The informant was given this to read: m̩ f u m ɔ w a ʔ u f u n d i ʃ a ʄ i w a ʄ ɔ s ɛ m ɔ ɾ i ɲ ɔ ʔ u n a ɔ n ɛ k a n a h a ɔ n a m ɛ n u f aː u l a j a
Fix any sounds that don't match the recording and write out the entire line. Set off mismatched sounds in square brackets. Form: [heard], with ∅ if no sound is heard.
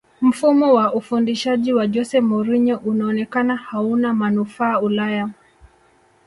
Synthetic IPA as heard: m̩ f u m ɔ w a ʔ u f u n d i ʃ a ʄ i w a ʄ ɔ s ɛ m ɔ ɾ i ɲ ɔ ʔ u n a ɔ n ɛ k a n a h a [u] n a m [a] n u f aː u l a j a